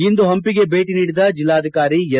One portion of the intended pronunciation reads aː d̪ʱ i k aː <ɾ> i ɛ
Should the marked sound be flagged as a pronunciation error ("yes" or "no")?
no